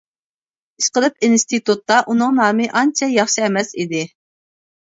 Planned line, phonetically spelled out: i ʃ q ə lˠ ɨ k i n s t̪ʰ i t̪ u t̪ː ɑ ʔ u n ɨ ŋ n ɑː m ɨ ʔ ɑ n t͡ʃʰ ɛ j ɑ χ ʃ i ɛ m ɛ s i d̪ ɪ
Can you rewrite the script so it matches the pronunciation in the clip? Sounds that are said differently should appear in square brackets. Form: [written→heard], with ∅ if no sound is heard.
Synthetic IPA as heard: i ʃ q ə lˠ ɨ [k→p] i n s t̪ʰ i t̪ u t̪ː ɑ ʔ u n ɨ ŋ n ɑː m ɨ ʔ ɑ n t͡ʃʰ ɛ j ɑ χ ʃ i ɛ m ɛ s i d̪ ɪ